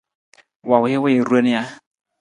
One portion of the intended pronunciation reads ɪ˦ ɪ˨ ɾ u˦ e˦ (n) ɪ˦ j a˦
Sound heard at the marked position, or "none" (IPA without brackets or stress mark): n